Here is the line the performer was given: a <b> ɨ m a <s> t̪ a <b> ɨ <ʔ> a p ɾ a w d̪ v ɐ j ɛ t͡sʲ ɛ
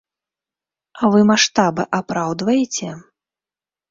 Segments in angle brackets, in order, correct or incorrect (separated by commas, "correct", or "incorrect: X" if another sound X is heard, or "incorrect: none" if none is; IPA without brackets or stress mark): incorrect: v, incorrect: ʂ, correct, correct